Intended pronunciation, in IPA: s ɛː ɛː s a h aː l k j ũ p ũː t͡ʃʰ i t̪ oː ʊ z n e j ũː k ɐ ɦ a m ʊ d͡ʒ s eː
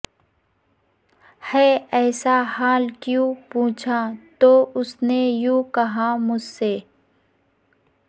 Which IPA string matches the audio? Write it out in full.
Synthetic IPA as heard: h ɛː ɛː s a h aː l k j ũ p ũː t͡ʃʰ a t̪ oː ʊ s n e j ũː k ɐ ɦ a m ʊ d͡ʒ s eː